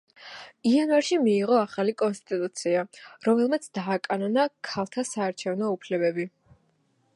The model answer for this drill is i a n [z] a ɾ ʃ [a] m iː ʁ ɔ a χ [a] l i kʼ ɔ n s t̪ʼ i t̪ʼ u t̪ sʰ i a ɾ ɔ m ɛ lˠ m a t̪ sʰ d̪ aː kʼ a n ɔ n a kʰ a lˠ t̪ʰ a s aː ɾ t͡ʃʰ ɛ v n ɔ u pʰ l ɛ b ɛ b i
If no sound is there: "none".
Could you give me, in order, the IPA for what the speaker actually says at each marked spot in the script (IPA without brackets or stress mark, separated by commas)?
v, i, a